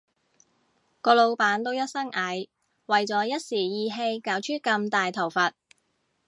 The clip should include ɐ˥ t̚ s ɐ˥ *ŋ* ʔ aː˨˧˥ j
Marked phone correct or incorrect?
correct